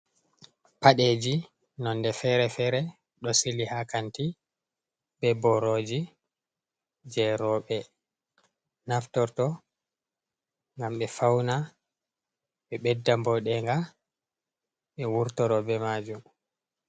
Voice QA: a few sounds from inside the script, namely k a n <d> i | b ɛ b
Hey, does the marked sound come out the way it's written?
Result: no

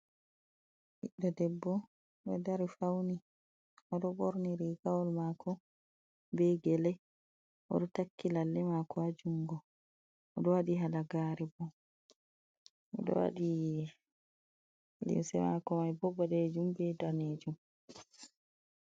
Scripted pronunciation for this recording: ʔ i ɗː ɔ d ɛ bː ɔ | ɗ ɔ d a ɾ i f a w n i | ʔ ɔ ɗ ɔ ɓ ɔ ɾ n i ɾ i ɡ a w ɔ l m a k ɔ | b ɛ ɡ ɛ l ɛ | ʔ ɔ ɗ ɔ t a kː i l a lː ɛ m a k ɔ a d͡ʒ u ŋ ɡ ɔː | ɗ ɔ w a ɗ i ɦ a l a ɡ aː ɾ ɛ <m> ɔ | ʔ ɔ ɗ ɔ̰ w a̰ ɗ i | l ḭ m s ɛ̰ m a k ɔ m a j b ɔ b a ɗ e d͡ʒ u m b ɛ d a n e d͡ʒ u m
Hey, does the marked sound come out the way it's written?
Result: no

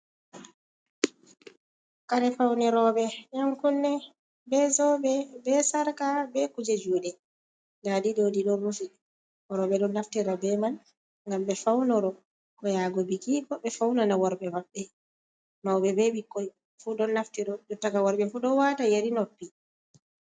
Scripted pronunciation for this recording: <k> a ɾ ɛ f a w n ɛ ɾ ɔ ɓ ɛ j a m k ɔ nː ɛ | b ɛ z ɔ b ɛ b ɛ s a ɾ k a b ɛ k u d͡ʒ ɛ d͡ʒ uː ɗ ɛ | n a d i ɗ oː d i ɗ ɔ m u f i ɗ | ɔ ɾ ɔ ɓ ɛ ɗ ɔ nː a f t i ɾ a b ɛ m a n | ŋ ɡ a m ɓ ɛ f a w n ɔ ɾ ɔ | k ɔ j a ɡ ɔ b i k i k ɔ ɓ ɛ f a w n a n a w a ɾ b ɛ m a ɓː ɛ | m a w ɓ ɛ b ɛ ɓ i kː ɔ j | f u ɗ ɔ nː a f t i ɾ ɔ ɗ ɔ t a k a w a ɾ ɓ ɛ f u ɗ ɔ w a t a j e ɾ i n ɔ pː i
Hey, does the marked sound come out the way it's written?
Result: yes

